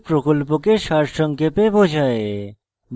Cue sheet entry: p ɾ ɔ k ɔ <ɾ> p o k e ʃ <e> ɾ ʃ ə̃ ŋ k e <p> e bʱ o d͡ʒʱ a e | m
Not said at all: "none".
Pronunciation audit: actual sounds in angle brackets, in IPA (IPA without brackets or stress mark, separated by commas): l, a, p